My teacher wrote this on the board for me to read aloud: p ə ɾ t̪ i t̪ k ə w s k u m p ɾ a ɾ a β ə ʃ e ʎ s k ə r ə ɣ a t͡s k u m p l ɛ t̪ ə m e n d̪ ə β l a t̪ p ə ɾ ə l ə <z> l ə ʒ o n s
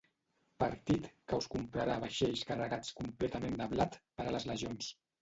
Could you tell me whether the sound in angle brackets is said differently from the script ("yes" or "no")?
no